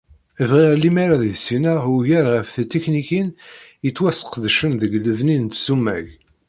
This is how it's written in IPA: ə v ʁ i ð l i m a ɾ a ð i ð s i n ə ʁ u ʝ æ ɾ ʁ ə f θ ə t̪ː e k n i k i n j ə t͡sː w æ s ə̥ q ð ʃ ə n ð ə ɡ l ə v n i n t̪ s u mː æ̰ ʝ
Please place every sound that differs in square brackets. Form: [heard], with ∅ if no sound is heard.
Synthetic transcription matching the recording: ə v ʁ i [ʁ] l i m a ɾ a ð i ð s i n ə ʁ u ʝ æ ɾ ʁ ə f θ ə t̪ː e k n i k i n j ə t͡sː w æ s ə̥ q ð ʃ ə n ð ə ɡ l ə v n i n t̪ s u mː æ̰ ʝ